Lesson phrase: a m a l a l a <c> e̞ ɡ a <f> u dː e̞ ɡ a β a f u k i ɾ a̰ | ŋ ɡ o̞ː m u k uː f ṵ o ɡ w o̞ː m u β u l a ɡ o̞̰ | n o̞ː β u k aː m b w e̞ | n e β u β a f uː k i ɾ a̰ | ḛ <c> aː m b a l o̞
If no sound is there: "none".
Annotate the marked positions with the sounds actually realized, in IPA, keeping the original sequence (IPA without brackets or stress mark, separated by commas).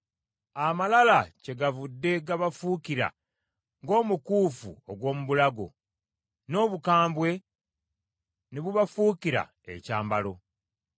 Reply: c, v, c